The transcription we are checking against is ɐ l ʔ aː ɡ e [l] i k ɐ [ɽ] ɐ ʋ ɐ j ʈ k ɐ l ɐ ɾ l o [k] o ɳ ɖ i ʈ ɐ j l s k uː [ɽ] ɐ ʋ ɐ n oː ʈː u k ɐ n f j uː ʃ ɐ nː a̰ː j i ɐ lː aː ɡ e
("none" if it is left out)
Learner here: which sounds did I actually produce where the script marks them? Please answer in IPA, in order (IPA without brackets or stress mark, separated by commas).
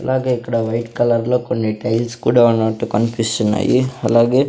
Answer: none, ɽ, k, ɽ